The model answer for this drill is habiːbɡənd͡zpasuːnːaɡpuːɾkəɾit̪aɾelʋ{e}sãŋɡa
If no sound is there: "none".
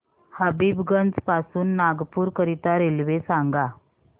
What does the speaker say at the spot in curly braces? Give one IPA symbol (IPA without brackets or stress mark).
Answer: e